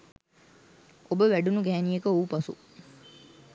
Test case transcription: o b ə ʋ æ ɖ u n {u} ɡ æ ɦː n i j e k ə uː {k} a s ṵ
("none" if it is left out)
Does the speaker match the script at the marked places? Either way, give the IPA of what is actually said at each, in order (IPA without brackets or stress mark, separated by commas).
u, p